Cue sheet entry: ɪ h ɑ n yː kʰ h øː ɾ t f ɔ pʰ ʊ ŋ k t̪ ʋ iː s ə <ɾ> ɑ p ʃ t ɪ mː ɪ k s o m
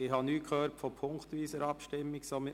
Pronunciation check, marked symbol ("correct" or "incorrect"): correct